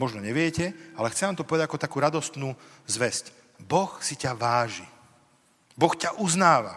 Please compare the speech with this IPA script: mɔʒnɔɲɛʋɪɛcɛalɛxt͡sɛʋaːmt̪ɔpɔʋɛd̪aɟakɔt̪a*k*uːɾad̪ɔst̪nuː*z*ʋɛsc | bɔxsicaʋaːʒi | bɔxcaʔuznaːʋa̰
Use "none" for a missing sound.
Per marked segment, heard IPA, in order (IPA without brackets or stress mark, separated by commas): k, z